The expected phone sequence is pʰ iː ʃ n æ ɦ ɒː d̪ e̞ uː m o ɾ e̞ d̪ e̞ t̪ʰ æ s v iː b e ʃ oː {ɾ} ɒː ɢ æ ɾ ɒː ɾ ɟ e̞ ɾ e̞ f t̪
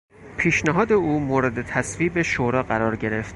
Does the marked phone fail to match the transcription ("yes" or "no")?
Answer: no